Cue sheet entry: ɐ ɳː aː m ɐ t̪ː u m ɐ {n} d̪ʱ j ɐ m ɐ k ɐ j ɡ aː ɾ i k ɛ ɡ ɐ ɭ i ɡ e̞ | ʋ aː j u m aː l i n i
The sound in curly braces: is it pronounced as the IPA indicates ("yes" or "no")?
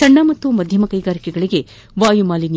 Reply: no